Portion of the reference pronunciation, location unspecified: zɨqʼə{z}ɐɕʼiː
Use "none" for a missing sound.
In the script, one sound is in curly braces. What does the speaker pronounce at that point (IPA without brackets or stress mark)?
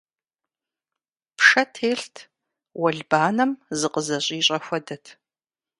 z